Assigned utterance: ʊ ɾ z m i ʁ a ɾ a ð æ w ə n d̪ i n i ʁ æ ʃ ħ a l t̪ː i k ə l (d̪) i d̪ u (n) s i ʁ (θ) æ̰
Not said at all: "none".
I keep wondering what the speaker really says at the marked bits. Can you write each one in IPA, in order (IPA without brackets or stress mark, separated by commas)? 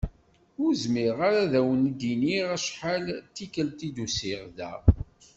t̪, none, ð